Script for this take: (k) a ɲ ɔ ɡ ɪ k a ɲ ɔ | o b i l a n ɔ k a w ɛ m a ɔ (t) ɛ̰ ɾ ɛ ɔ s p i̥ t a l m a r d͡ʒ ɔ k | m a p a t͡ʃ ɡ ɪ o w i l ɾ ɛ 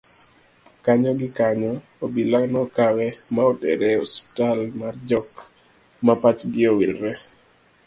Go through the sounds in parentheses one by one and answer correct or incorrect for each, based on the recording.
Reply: correct, correct

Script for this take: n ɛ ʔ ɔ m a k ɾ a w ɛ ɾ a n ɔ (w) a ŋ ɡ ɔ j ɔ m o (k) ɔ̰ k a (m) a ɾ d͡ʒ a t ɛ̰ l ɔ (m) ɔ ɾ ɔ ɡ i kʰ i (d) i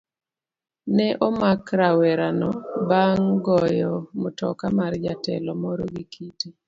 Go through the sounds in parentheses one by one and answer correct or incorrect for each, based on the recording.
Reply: incorrect: b, incorrect: t, correct, correct, incorrect: t

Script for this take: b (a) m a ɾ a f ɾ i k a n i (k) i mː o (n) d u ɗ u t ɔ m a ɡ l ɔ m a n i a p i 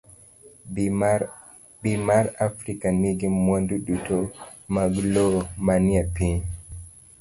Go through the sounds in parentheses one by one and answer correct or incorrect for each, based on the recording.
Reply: incorrect: i, incorrect: ɡ, correct

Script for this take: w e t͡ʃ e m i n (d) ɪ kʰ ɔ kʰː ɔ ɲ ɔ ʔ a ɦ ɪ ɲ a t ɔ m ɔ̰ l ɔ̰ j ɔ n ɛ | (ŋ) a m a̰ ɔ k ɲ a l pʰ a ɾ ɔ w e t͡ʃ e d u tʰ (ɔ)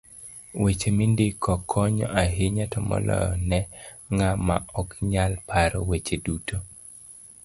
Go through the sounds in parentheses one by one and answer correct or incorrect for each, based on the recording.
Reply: correct, correct, incorrect: o

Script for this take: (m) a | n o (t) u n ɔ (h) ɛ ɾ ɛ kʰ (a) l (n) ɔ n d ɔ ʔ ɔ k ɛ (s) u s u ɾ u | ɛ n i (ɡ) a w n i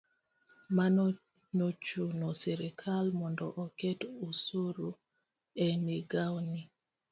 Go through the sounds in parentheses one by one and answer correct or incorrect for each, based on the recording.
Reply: correct, incorrect: t͡ʃ, incorrect: s, correct, incorrect: m, incorrect: t, correct

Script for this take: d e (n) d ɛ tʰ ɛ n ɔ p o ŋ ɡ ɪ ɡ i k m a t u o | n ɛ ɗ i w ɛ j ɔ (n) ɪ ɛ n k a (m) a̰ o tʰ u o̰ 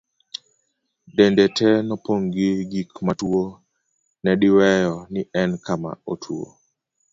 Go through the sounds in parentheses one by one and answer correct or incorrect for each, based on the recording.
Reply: correct, correct, correct

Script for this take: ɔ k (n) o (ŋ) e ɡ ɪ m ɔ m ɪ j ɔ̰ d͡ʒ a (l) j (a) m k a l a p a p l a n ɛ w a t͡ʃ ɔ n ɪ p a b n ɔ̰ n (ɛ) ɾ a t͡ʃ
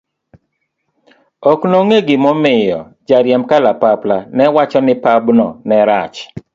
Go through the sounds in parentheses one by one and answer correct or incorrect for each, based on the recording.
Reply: correct, correct, incorrect: ɾ, incorrect: ɛ, correct

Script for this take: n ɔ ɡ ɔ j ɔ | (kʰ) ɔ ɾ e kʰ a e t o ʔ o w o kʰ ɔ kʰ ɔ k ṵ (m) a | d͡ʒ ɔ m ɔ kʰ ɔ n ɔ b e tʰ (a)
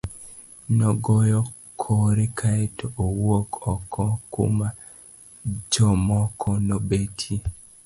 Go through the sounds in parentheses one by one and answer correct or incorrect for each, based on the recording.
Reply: correct, correct, incorrect: i

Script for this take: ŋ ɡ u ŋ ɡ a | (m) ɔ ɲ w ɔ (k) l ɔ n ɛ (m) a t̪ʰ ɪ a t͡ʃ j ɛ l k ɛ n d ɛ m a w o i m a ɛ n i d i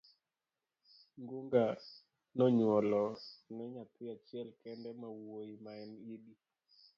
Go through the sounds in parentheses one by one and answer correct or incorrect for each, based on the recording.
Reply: incorrect: n, incorrect: none, incorrect: ɲ

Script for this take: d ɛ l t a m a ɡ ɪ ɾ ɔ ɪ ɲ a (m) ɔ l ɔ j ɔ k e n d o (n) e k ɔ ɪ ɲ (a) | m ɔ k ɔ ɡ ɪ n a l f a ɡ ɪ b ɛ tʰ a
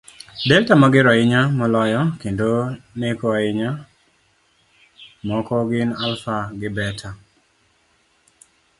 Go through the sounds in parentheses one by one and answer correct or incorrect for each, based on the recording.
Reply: correct, correct, correct

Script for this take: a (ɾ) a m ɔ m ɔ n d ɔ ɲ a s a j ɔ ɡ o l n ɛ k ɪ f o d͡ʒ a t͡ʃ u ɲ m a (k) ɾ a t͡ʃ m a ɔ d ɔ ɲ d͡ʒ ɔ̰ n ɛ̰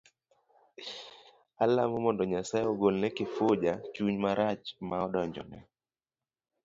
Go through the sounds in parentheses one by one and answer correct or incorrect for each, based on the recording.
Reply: incorrect: l, incorrect: none

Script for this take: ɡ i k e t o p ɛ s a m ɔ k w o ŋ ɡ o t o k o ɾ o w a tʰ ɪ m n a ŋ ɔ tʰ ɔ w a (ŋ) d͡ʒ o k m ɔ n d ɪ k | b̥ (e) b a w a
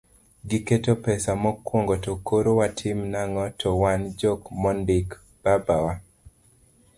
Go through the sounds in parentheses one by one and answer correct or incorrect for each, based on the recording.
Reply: incorrect: n, incorrect: a

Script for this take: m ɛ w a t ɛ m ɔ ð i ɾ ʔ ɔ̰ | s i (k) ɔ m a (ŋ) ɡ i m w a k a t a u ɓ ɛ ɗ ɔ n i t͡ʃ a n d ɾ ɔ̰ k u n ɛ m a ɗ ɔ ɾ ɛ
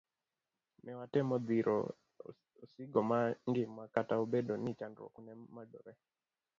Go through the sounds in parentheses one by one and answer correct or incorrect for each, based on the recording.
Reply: incorrect: ɡ, correct

